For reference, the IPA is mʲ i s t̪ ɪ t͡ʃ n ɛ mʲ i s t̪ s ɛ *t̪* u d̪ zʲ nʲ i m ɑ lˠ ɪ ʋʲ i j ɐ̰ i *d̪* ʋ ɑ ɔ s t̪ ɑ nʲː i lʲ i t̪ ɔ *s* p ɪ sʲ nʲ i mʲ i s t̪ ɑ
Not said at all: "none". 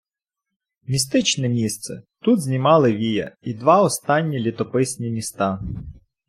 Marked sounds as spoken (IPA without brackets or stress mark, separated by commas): t̪, d̪, none